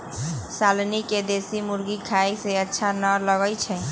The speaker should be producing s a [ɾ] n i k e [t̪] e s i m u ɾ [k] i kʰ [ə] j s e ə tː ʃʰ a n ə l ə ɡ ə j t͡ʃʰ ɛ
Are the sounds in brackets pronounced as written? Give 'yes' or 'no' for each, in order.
no, no, no, no

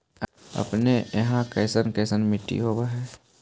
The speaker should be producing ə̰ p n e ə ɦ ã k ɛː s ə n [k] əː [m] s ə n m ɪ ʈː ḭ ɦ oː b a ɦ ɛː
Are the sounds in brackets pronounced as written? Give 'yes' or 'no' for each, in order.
yes, no

